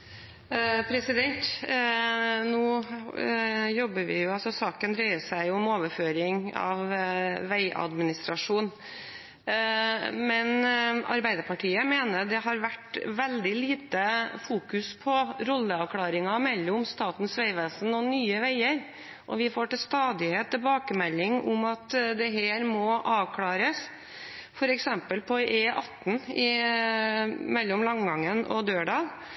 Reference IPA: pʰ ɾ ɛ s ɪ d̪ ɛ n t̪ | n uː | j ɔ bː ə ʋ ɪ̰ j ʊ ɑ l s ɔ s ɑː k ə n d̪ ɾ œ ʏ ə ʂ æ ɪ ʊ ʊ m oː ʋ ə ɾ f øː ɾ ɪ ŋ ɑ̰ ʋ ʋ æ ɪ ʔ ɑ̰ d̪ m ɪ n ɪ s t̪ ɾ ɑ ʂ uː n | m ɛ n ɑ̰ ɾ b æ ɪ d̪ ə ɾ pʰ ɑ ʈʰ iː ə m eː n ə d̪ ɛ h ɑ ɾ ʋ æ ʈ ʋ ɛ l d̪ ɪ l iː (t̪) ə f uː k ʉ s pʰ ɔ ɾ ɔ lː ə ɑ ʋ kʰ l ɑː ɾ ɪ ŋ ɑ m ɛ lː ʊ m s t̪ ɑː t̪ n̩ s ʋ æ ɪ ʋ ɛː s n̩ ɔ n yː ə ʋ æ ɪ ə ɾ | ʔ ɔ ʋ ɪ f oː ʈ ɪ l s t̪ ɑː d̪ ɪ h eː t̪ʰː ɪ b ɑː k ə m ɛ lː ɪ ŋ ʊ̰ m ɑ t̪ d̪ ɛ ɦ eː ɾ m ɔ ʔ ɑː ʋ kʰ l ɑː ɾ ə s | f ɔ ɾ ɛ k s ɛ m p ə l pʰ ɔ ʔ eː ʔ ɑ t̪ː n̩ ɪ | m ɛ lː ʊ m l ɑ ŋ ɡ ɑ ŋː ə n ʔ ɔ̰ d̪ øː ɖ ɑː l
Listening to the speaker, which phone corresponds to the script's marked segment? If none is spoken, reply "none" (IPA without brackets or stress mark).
t̪